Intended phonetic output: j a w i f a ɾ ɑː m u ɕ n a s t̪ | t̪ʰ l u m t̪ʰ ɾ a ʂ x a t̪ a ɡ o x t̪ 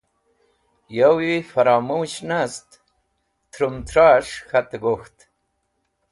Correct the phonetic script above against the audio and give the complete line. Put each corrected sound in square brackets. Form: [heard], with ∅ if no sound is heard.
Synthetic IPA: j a w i f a ɾ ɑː m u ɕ n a s t̪ | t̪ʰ [ɾ] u m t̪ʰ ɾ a ʂ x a t̪ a ɡ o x t̪